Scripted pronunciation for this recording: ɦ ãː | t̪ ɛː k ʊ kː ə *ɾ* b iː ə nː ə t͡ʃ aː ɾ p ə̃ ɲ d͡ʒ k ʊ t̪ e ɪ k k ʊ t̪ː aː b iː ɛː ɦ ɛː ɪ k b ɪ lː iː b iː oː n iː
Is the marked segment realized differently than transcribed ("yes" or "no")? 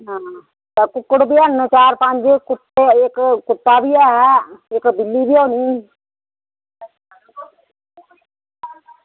yes